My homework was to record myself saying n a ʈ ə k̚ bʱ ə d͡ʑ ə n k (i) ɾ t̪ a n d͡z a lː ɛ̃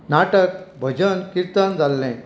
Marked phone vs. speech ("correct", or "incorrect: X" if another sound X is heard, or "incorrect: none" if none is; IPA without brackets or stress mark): correct